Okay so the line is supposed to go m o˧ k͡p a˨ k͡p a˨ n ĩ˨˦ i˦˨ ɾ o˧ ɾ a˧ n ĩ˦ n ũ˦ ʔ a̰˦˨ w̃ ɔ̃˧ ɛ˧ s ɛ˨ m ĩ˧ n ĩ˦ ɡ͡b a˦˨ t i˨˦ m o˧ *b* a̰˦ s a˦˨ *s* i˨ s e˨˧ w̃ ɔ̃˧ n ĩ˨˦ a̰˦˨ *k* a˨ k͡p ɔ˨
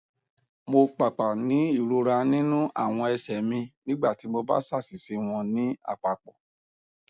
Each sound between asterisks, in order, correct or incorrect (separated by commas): correct, correct, incorrect